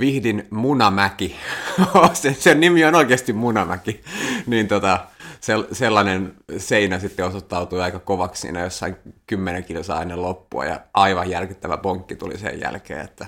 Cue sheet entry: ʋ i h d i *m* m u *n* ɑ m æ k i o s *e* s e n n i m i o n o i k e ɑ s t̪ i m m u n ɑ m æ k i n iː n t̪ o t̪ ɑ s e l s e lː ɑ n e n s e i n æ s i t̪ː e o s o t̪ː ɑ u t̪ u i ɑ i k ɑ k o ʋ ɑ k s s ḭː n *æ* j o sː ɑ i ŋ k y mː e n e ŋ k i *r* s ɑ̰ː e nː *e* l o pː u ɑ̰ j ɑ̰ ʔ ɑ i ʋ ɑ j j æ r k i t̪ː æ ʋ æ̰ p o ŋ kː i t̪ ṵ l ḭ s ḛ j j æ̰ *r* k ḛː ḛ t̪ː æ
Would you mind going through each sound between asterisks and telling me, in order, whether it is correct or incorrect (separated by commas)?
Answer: incorrect, correct, correct, correct, incorrect, correct, incorrect